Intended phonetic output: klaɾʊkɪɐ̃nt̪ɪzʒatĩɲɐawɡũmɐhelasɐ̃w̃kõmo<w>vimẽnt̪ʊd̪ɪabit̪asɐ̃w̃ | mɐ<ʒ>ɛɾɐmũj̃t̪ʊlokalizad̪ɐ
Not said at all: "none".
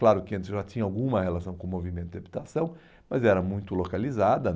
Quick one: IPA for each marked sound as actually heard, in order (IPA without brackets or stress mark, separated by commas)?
none, z